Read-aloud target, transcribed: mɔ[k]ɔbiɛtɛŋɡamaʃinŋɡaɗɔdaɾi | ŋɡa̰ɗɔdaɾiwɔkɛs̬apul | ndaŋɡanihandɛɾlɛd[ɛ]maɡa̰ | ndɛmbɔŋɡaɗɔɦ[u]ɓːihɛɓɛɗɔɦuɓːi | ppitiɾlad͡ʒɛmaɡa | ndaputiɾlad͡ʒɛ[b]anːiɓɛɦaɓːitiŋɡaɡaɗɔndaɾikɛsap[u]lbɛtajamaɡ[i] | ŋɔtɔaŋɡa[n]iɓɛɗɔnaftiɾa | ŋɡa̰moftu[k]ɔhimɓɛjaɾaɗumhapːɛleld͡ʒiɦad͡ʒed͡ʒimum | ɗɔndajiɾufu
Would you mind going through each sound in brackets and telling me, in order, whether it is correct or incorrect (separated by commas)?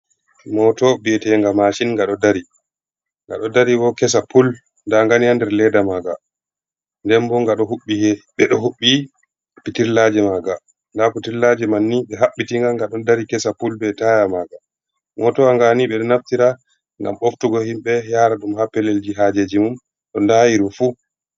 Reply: incorrect, incorrect, correct, incorrect, correct, incorrect, correct, incorrect